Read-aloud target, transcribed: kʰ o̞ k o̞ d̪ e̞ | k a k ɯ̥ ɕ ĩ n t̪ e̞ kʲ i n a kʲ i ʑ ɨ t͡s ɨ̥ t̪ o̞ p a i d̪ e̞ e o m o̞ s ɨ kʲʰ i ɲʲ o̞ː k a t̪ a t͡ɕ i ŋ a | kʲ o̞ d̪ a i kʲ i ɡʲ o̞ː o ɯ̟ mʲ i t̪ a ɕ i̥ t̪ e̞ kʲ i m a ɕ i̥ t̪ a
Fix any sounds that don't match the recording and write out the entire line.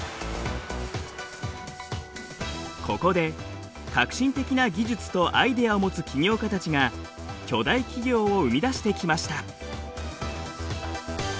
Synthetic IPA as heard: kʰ o̞ k o̞ d̪ e̞ | k a k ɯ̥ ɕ ĩ n t̪ e̞ kʲ i n a ɡʲ i ʑ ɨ t͡s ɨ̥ t̪ o̞ ʔ a i d̪ e̞ a o m o̞ t͡s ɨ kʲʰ i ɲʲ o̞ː k a t̪ a t͡ɕ i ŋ a | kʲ o̞ d̪ a i kʲ i ɡʲ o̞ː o ɯ̟ mʲ i d̪ a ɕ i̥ t̪ e̞ kʲ i m a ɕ i̥ t̪ a